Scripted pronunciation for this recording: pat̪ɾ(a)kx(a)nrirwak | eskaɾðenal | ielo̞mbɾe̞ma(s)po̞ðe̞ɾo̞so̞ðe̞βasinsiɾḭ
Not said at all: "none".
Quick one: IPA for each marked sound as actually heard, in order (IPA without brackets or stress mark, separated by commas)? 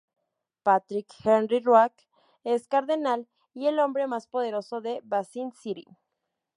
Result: i, e, s